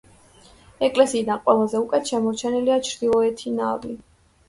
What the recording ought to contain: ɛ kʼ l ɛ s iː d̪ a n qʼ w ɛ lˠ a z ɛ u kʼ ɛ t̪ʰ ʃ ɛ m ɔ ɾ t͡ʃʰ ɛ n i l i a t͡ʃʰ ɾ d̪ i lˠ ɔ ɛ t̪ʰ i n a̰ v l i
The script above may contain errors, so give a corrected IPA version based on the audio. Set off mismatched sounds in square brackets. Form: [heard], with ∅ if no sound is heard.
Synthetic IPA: ɛ kʼ l ɛ s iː d̪ a n qʼ w ɛ lˠ a z ɛ u kʼ ɛ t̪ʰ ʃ ɛ m ɔ ɾ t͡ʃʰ ɛ n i l i a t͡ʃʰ ɾ d̪ i lˠ ɔ ɛ t̪ʰ i n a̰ v l i